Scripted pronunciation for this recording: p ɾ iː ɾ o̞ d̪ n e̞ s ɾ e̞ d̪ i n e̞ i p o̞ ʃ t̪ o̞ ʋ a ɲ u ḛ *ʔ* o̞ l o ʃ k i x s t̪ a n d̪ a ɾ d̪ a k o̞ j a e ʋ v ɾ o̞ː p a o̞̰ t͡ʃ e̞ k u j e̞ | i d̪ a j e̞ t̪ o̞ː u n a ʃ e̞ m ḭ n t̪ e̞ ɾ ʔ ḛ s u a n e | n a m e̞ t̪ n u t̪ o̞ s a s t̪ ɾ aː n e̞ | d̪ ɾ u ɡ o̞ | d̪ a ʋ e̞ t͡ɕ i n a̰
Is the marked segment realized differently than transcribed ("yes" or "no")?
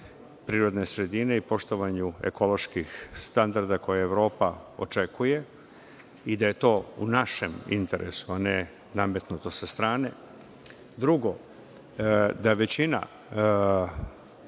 yes